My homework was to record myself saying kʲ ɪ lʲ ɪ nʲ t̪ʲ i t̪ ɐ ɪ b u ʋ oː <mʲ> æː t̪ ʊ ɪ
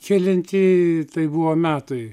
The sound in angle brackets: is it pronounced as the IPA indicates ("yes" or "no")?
yes